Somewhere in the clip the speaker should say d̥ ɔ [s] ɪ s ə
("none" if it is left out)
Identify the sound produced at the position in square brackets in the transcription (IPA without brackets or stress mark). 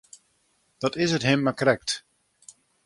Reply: t